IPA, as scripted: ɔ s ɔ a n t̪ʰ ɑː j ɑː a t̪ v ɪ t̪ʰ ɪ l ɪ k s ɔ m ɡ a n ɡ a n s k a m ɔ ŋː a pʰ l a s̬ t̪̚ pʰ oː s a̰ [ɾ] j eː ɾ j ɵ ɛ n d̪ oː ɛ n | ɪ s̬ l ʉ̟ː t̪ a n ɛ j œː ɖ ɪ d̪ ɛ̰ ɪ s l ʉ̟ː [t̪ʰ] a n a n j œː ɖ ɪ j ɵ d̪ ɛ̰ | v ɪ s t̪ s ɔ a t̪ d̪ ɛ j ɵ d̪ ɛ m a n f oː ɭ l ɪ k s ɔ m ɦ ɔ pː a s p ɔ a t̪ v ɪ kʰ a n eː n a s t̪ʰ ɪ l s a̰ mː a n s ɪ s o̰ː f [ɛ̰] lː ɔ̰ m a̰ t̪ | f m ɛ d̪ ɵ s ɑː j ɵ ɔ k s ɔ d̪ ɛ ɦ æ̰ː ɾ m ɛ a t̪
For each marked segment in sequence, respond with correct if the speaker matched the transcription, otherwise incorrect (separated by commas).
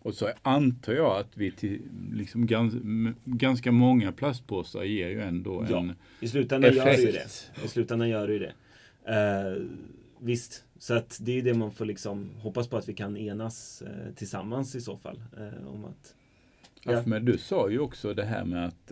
correct, incorrect, incorrect